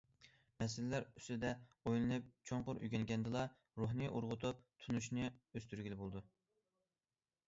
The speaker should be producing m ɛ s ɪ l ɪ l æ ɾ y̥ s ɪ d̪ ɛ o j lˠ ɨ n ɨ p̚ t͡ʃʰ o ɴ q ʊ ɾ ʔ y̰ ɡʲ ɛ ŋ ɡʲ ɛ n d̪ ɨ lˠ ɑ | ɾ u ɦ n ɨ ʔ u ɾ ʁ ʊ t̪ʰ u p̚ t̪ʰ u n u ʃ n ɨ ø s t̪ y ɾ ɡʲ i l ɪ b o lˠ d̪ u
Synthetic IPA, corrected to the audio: m ɛ s ɪ l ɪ l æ ɾ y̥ s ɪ d̪ ɛ o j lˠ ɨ n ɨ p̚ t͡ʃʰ o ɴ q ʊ ɾ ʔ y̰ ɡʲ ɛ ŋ ɡʲ ɛ n d̪ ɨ lˠ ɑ | ɾ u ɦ n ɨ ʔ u ɾ ʁ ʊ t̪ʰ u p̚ t̪ʰ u n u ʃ n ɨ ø s t̪ y ɾ ɡʲ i l ɪ b o lˠ d̪ u